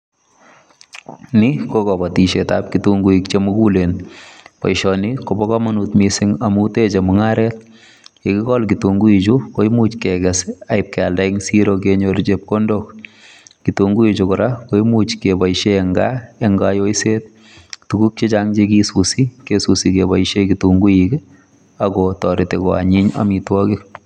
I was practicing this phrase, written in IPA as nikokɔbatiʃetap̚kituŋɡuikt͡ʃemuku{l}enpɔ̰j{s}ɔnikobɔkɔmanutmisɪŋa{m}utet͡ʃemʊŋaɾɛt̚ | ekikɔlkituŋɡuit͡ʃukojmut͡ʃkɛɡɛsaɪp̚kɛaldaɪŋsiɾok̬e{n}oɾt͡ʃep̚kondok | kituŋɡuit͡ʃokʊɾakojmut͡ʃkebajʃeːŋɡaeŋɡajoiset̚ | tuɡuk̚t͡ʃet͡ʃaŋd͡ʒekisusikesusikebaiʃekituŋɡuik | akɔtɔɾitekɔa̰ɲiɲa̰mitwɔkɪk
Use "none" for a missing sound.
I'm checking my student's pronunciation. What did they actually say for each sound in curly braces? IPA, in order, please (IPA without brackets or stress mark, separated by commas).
l, ʃ, m, ɲ